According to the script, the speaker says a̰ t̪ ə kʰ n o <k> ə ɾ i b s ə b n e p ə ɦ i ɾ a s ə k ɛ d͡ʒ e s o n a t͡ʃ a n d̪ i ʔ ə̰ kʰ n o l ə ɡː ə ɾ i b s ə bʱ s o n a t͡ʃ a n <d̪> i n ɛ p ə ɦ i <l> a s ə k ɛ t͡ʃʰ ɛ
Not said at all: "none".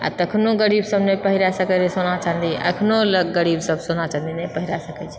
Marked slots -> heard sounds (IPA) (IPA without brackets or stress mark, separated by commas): ɡ, d̪, ɾ